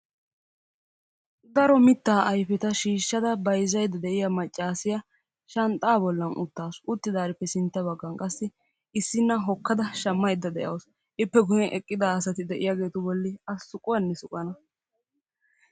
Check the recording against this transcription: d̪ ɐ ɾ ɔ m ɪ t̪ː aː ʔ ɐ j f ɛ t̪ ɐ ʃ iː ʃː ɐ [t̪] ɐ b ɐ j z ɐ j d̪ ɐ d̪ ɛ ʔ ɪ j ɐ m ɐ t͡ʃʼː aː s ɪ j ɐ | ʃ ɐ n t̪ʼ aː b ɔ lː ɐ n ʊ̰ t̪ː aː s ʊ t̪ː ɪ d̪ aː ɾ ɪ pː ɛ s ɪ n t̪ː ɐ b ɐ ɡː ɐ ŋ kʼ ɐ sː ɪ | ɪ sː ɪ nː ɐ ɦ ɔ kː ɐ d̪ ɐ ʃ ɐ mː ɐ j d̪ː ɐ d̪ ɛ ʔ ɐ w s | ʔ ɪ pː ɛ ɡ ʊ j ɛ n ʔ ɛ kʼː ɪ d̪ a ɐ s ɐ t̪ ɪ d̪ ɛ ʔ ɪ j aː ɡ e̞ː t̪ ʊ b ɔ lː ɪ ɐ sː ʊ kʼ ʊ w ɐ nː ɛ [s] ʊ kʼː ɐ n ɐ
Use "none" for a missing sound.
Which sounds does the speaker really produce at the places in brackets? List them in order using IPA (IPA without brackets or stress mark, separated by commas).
d̪, s